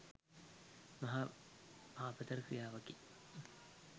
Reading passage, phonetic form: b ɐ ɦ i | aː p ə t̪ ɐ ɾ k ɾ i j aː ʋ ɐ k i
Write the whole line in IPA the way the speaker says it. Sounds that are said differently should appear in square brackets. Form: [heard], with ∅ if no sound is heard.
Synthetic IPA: [m] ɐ ɦ [a] | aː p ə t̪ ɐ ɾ k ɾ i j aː ʋ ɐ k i